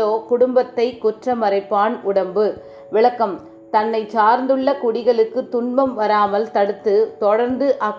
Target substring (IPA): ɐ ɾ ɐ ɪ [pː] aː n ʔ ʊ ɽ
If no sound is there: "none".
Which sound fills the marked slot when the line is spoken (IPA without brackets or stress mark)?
pː